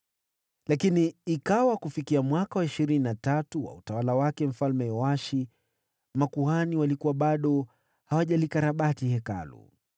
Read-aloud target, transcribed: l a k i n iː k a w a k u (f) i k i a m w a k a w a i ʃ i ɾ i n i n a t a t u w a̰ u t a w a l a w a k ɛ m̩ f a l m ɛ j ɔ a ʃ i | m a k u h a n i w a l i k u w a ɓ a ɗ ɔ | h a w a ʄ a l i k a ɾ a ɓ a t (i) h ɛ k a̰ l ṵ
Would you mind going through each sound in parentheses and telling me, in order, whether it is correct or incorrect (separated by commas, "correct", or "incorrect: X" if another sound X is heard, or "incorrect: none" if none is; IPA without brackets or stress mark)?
correct, correct